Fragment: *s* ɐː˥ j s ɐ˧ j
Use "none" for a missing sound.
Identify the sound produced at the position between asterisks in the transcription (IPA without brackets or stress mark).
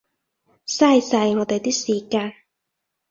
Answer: s